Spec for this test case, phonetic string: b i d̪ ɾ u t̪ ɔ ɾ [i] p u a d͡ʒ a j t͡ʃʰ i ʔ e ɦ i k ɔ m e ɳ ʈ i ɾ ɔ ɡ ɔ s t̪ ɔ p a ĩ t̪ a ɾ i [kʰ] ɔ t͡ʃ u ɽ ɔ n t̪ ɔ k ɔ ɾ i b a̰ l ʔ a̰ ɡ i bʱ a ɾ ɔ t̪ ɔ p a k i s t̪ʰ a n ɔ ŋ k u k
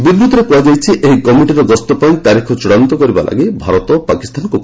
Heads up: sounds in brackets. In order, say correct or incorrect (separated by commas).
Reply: incorrect, correct